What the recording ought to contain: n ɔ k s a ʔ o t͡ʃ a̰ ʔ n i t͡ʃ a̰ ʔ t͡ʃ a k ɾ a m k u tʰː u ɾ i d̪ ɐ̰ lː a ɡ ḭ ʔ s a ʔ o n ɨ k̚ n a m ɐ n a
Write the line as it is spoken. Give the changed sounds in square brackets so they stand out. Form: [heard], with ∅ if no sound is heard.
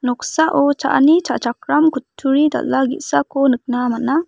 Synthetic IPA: n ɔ k s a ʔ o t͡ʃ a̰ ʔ n i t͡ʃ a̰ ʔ t͡ʃ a k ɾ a m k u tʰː u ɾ i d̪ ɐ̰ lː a ɡ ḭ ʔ s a [k] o n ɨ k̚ n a m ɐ n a